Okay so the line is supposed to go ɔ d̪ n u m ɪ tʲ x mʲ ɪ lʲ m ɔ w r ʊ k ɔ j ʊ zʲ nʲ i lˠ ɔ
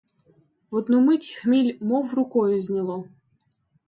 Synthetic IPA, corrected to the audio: ɔ d̪ n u m ɪ tʲ x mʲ i lʲ m ɔ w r ʊ k ɔ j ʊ zʲ nʲ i lˠ ɔ